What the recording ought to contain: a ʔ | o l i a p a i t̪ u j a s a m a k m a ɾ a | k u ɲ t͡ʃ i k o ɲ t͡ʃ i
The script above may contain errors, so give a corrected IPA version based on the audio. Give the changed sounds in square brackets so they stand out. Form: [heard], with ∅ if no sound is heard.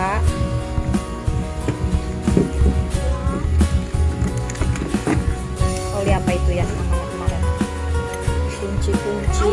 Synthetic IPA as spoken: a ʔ | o l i a p a i t̪ u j a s a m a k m a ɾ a | k u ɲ t͡ʃ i k [u] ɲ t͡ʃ i